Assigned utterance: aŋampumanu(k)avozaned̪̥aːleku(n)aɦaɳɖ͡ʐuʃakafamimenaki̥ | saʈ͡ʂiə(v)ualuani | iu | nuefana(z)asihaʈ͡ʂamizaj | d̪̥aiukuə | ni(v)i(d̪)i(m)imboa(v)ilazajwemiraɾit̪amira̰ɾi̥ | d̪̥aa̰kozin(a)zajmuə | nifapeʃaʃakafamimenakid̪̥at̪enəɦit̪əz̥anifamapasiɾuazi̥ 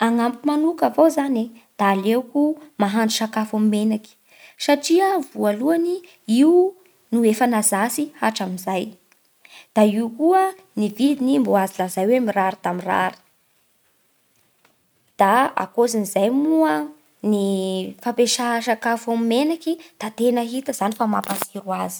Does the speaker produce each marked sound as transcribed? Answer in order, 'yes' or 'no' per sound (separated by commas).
yes, no, yes, yes, yes, yes, no, no, no